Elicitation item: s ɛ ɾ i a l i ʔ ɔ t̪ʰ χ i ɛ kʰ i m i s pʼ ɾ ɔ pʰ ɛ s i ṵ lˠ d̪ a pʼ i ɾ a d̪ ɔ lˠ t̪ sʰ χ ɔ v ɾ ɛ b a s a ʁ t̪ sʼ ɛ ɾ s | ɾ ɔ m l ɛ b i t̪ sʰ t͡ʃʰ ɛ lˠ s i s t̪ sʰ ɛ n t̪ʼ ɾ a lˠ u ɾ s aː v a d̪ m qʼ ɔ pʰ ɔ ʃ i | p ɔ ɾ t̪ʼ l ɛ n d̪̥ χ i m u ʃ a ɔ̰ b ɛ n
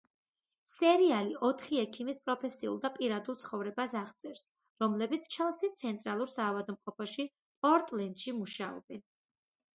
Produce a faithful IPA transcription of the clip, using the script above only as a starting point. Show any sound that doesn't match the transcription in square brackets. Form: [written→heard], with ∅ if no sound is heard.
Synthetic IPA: s ɛ ɾ i a l i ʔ ɔ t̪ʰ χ i ɛ kʰ i m i s pʼ ɾ ɔ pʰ ɛ s i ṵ lˠ d̪ a pʼ i ɾ a d̪ [ɔ→u] lˠ t̪ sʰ χ ɔ v ɾ ɛ b a s a ʁ t̪ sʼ ɛ ɾ s | ɾ ɔ m l ɛ b i t̪ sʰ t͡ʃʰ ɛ lˠ s i s t̪ sʰ ɛ n t̪ʼ ɾ a lˠ u ɾ s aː v a d̪ m qʼ ɔ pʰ ɔ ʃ i | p ɔ ɾ t̪ʼ l ɛ n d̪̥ [χ→ʃ] i m u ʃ a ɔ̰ b ɛ n